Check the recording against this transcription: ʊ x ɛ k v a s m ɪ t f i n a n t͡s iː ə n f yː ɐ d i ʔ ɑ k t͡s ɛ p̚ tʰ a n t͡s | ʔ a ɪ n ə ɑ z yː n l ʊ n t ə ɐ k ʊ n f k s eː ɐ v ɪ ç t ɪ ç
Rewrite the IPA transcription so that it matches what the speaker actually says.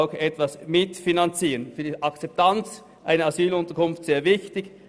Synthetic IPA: ʊ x ɛ t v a s m ɪ t f i n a n t͡s iː ə n f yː ɐ d i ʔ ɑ k t͡s ɛ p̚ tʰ a n t͡s | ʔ a ɪ n ə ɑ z yː l ʊ n t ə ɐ k ʊ n f t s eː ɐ v ɪ ç t ɪ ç